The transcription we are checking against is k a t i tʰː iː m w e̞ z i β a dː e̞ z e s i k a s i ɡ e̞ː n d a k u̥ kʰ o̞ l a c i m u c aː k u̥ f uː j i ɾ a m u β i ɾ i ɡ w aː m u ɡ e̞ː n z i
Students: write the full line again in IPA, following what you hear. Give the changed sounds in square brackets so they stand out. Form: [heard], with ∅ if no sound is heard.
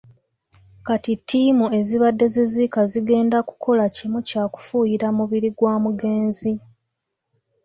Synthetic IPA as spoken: k a t i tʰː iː m [u] e̞ z i β a dː e̞ z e [z] i k a [z] i ɡ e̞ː n d a k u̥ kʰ o̞ l a c i m u c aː k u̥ f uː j i ɾ a m u β i ɾ i ɡ w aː m u ɡ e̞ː n z i